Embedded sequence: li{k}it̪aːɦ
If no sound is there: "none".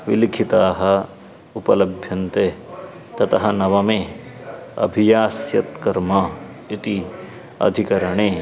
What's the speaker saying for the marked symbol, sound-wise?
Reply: kʰ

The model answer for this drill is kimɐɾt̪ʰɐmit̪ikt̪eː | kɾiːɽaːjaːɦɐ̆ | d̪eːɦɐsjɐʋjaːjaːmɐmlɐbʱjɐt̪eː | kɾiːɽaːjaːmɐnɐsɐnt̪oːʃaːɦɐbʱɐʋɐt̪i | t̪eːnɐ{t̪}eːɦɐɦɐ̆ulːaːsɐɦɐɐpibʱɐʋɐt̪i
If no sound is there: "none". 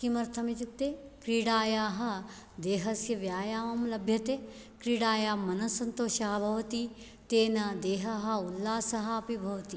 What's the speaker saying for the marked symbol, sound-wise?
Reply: d̪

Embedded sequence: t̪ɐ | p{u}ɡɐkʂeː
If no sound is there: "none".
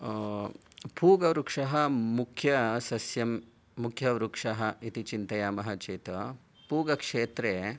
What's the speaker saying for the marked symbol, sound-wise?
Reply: uː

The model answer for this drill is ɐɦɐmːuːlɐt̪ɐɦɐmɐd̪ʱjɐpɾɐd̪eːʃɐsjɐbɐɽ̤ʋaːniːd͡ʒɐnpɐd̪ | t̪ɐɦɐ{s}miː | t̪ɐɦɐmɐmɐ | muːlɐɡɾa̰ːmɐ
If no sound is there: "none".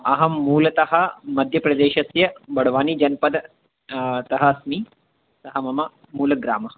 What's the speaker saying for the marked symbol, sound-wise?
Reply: s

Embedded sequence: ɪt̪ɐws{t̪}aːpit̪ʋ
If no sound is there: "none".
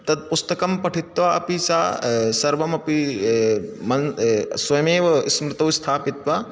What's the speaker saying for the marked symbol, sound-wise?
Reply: t̪ʰ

